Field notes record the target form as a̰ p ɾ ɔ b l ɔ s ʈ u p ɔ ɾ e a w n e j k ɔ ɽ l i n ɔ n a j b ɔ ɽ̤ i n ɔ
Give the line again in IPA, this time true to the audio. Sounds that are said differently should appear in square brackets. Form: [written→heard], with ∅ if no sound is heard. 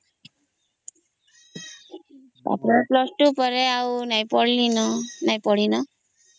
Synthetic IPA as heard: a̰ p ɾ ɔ [b→p] l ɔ s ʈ u p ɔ ɾ e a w n [e→a] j [k→p] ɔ ɽ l i n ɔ n a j [b→p] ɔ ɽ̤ i n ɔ